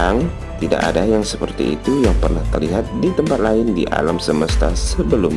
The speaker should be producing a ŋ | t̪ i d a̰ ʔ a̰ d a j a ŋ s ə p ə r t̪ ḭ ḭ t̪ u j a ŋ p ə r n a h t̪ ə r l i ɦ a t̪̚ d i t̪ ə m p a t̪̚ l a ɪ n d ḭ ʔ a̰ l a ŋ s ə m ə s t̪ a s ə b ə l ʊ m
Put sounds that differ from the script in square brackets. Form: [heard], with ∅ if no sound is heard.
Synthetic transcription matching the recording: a ŋ | t̪ i d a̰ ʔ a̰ d a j a ŋ s ə p ə r t̪ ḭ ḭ t̪ u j a ŋ p ə r n a h t̪ ə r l i ɦ a t̪̚ d i t̪ ə m p a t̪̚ l a ɪ n d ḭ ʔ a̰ l a [m] s ə m ə s t̪ a s ə b ə l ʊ m